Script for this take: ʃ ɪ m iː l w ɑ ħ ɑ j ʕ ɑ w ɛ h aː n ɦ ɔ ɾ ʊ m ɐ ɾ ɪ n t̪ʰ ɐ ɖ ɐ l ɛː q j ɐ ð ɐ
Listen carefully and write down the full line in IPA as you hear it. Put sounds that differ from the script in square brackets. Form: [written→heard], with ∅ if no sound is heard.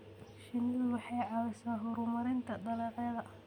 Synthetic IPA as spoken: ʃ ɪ [m→n] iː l w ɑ ħ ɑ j ʕ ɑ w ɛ [h→s] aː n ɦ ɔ ɾ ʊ m ɐ ɾ ɪ n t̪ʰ ɐ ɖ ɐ l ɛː q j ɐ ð ɐ